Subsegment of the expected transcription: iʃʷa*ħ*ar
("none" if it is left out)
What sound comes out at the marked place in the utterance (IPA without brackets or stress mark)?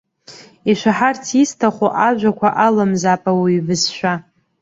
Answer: ħ